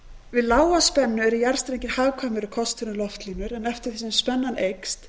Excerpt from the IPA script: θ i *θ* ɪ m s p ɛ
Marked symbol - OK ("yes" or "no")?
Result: no